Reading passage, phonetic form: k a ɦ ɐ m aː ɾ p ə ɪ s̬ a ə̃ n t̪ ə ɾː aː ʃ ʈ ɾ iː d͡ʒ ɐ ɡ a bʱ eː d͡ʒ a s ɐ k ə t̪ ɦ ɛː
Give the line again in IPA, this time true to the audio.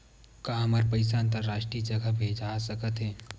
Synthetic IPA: k a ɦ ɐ m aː ɾ p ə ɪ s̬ a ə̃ n t̪ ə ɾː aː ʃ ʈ ɾ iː d͡ʒ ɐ ɡ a bʱ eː d͡ʒ a s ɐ k ə t̪ ɦ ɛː

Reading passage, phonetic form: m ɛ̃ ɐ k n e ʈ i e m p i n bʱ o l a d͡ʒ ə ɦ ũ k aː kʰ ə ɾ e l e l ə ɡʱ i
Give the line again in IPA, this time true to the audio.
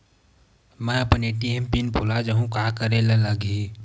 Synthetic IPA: m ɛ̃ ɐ p n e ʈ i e m p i n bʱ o l a d͡ʒ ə ɦ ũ k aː k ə ɾ e l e l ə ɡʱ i

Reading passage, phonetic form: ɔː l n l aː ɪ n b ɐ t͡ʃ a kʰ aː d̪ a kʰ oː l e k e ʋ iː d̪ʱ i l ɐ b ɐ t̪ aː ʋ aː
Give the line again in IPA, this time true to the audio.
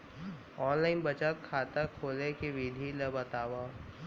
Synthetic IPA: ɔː n l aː ɪ n b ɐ t͡ʃ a kʰ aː t̪ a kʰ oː l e k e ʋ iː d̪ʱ i l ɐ b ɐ t̪ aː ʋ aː

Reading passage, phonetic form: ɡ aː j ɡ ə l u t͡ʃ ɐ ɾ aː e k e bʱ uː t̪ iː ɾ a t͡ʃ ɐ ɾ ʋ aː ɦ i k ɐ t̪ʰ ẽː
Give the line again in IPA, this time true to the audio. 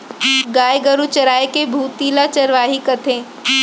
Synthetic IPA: ɡ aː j ɡ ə ɾ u t͡ʃ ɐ ɾ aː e k e bʱ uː t̪ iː l a t͡ʃ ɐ ɾ ʋ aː ɦ i k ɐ t̪ʰ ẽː

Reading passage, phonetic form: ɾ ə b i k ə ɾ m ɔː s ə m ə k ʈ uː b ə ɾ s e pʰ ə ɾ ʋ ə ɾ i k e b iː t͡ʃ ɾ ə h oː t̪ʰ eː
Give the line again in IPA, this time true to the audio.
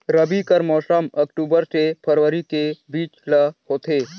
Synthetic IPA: ɾ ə b i k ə ɾ m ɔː s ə m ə k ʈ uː b ə ɾ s e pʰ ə ɾ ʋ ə ɾ i k e b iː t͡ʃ l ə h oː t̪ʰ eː

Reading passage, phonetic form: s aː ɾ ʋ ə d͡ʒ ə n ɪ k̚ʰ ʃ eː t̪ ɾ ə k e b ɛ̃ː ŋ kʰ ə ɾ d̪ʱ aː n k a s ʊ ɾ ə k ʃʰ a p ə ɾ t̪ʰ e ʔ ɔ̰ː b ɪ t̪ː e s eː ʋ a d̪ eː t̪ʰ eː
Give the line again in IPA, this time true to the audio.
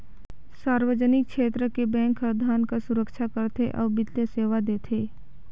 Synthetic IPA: s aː ɾ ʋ ə d͡ʒ ə n ɪ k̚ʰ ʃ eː t̪ ɾ ə k e b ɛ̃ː ŋ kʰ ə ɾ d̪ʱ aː n k a s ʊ ɾ ə k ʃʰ a k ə ɾ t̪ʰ e ʔ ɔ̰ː b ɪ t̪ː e s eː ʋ a d̪ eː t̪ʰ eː

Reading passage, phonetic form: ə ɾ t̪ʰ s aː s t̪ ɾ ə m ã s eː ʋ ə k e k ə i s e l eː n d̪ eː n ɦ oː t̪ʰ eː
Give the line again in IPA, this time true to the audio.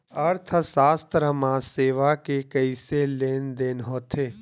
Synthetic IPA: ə ɾ t̪ʰ s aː s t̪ ɾ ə m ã s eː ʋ a k e k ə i s e l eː n d̪ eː n ɦ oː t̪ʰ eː

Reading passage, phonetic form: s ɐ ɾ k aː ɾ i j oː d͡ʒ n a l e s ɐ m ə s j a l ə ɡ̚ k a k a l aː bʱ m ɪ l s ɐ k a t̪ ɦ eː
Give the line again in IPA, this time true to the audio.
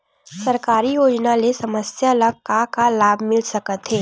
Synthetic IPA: s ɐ ɾ k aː ɾ i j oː d͡ʒ n a l e s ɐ m ə s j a l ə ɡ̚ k a k a l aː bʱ m ɪ l s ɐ k ə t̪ ɦ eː

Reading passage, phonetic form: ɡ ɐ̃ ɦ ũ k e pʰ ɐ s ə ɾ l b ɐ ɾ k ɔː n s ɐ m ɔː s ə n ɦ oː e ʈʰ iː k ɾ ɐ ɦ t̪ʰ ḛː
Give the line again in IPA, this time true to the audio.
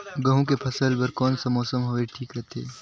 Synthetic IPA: ɡ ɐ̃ ɦ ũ k e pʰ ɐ s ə l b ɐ ɾ k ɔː n s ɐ m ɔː s ə m ɦ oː e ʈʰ iː k ɾ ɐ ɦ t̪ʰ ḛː

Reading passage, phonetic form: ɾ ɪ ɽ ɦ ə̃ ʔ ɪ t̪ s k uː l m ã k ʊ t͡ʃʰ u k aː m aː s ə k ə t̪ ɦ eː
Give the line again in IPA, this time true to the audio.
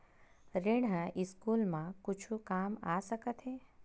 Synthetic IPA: ɾ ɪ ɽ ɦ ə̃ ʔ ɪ s k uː l m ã k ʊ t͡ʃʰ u k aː m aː s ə k ə t̪ ɦ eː

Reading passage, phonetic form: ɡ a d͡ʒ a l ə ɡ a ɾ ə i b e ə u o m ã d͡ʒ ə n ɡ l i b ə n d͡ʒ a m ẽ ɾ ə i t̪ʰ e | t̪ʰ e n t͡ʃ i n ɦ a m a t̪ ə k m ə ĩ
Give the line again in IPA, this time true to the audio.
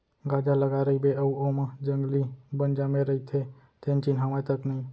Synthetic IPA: ɡ a d͡ʒ a l ə ɡ a ɾ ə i b e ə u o m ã d͡ʒ ə ŋ ɡ l i b ə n d͡ʒ a m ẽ ɾ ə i t̪ʰ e | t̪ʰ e n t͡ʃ i n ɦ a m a t̪ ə k n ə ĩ

